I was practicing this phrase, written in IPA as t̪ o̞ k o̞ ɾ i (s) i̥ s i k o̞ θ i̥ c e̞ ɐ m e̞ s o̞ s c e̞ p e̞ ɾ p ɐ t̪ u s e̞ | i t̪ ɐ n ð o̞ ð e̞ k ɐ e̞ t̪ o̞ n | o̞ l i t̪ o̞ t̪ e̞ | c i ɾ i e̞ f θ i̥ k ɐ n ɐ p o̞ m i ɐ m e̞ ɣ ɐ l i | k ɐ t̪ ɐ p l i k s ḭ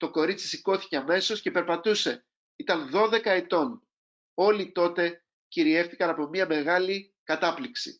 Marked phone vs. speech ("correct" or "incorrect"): incorrect